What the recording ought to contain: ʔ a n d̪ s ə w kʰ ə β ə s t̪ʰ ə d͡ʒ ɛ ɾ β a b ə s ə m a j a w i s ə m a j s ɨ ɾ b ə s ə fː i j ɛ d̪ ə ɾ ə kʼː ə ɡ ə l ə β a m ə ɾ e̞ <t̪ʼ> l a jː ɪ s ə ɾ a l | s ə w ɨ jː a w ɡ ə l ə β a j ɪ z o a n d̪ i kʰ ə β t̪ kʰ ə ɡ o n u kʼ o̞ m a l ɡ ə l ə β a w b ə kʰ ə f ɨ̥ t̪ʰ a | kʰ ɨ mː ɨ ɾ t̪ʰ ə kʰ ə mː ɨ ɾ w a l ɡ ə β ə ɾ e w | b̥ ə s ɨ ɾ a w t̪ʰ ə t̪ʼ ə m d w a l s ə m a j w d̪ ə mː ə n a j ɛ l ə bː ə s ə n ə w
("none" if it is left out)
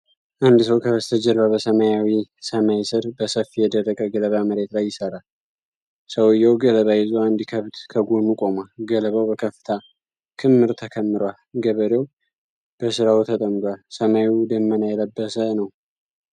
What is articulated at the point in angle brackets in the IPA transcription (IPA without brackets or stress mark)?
t̪